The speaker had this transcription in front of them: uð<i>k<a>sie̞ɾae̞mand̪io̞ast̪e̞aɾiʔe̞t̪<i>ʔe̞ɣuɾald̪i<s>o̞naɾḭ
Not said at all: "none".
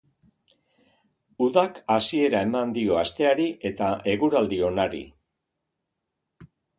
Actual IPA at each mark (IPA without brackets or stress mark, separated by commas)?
a, a, a, none